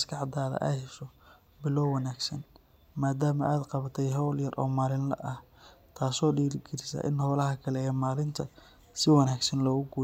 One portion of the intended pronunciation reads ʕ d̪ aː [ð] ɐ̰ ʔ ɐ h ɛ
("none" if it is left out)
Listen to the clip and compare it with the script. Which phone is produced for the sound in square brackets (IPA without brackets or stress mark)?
ð